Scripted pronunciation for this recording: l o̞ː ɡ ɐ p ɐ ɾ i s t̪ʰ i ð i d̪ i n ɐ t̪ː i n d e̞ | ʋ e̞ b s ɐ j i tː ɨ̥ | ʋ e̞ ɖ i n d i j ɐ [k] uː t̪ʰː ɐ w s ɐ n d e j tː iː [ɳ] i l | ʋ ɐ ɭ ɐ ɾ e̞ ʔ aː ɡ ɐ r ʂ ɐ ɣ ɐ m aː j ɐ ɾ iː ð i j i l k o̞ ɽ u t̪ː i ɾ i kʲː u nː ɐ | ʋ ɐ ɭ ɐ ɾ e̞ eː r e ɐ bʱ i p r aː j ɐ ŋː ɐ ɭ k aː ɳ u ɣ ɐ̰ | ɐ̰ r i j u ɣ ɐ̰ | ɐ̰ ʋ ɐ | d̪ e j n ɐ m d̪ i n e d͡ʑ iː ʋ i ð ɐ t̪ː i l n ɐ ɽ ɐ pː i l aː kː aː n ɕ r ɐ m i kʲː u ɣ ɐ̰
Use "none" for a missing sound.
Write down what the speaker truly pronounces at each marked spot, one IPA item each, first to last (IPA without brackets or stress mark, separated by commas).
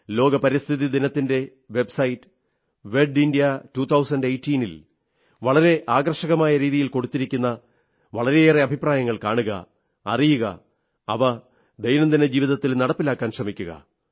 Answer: t, n